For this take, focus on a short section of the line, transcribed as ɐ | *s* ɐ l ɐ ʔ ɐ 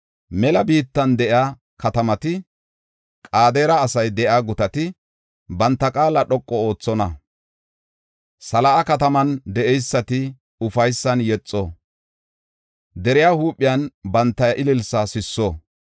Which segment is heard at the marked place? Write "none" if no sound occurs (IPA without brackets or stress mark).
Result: s